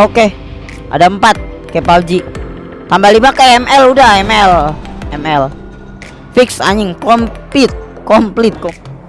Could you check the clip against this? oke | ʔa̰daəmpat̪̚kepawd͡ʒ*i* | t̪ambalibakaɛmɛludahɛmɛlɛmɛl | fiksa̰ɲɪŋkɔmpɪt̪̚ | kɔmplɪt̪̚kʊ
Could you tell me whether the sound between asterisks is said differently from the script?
no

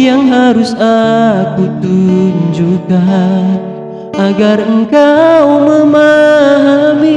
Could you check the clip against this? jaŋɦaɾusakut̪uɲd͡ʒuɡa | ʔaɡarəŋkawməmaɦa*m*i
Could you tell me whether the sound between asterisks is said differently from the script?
no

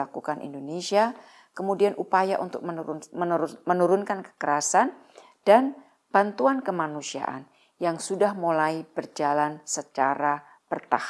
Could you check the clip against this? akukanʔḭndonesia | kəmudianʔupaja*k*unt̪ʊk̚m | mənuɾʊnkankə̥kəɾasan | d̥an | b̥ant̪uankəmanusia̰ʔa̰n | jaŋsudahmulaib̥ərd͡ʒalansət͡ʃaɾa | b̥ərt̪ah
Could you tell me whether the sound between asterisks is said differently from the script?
yes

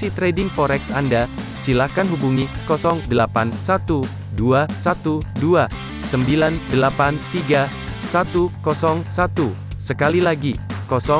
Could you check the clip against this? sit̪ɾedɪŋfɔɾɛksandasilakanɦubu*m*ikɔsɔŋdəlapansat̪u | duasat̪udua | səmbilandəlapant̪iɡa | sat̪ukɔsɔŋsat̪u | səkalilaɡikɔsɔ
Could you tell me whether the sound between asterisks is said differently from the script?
yes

